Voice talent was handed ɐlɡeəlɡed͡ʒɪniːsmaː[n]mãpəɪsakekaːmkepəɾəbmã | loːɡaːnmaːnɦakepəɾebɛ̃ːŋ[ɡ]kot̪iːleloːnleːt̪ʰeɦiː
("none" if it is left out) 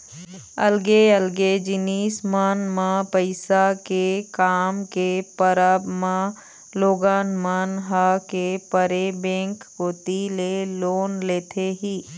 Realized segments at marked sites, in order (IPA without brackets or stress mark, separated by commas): n, k